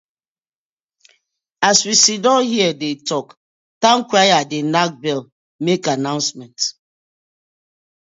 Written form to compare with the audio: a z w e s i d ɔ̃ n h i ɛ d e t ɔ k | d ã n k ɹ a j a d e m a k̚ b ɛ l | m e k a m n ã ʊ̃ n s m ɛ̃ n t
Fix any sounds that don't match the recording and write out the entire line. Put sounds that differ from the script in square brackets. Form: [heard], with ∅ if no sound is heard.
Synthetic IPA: a [s] w [i] s i d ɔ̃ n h i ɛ d e t ɔ k | [t] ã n k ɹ a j a d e [n] a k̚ b ɛ l | m e k a [∅] n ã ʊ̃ n s m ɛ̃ n t